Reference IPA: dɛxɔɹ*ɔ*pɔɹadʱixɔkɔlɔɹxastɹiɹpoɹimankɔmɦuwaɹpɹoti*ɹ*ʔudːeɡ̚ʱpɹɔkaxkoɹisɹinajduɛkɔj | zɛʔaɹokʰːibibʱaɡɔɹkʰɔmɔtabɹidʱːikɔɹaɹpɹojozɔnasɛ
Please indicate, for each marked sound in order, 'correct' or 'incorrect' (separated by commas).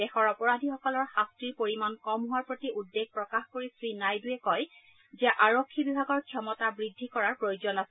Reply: correct, incorrect